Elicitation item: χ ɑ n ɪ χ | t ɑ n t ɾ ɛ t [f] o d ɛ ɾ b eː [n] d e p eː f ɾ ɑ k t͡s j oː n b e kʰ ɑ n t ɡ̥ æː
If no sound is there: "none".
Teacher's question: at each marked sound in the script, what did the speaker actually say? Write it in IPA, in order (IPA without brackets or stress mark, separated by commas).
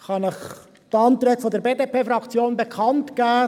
f, none